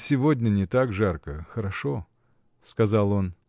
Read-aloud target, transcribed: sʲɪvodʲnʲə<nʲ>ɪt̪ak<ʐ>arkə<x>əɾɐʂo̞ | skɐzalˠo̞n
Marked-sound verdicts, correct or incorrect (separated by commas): correct, correct, correct